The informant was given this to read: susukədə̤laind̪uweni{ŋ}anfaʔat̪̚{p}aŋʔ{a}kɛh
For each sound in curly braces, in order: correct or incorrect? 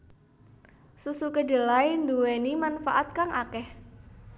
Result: incorrect: m, incorrect: k, correct

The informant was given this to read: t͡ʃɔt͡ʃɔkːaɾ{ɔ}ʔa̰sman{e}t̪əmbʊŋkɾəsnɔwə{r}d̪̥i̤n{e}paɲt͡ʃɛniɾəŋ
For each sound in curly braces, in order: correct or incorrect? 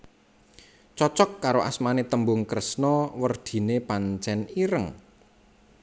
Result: incorrect: o, correct, correct, correct

